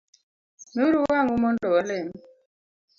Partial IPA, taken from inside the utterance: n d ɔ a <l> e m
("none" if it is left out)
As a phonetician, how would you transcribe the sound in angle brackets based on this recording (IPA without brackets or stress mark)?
l